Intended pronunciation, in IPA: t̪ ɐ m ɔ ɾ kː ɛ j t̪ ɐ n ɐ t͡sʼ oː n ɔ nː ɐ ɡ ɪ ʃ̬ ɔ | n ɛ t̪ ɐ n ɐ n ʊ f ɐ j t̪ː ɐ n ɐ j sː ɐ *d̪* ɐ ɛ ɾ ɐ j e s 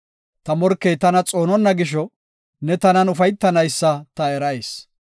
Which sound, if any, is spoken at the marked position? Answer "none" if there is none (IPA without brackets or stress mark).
t̪